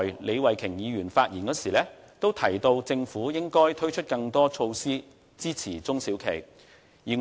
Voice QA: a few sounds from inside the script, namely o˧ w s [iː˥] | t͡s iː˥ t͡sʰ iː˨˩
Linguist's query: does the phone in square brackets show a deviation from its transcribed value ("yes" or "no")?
no